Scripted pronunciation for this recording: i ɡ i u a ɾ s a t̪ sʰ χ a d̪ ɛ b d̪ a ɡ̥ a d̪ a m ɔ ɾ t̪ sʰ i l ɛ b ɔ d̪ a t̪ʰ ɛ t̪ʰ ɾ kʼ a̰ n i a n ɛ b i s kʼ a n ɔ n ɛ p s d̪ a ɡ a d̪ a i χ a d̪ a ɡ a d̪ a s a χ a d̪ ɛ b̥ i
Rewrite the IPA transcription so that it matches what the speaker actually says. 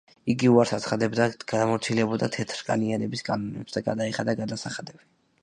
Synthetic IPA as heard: i ɡ i u a ɾ s a t̪ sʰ χ a d̪ ɛ b d̪ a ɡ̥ a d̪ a m ɔ ɾ t̪ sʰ i l ɛ b ɔ d̪ a t̪ʰ ɛ t̪ʰ ɾ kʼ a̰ n i a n ɛ b i s kʼ a n ɔ n ɛ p s d̪ a ɡ a d̪ a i χ a d̪ a ɡ a d̪ a s a χ a d̪ ɛ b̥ i